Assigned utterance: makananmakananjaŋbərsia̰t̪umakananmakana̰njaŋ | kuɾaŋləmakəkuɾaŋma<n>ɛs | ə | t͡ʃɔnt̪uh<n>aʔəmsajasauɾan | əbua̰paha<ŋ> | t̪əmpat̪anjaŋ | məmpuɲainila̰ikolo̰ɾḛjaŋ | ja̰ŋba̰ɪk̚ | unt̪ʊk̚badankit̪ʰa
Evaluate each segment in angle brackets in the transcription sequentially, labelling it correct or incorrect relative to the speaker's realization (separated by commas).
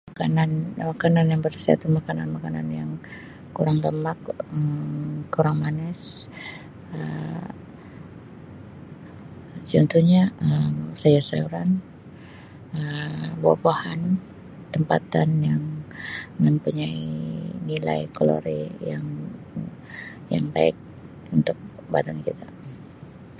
correct, incorrect, incorrect